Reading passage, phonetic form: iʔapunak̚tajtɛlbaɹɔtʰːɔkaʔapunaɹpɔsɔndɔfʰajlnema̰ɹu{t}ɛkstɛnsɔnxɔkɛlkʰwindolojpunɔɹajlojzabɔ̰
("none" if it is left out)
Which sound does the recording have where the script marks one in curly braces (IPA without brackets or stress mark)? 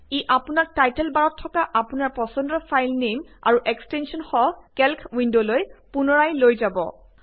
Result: ʔ